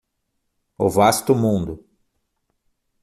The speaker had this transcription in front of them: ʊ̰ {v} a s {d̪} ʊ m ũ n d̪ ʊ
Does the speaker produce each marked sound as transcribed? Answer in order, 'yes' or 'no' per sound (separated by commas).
yes, no